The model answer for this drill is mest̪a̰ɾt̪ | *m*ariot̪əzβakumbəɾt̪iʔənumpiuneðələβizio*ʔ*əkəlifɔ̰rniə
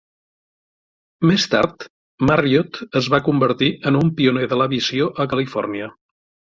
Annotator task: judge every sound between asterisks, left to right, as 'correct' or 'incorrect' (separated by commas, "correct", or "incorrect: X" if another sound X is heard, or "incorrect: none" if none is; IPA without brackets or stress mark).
correct, correct